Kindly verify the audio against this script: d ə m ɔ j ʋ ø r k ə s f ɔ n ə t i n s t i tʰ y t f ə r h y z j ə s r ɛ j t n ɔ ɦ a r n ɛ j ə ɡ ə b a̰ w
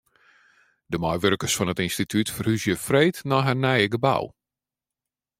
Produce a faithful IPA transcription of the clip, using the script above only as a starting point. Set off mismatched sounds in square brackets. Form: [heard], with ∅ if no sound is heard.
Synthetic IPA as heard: d ə m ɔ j ʋ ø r k ə s f ɔ n ə t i n s t i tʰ y t f ə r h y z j ə [f] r [e] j t n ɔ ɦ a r n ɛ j ə ɡ ə b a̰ w